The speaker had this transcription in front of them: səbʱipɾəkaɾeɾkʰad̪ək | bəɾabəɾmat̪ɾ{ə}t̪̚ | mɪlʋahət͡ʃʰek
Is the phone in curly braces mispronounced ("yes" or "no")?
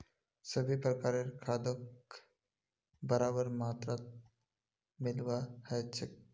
yes